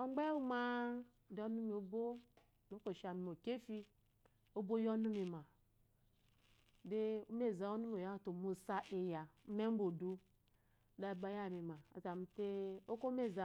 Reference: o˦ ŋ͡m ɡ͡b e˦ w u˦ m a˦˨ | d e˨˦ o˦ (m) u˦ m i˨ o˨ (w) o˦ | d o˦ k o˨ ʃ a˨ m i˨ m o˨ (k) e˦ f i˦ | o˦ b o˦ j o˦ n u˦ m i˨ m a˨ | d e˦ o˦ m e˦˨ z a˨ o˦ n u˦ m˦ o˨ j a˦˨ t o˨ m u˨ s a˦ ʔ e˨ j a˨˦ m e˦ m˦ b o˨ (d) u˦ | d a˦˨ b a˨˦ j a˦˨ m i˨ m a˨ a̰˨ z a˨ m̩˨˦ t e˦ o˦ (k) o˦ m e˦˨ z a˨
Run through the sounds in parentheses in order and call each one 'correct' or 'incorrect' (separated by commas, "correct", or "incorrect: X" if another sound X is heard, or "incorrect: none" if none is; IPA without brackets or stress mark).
incorrect: n, incorrect: b, correct, correct, correct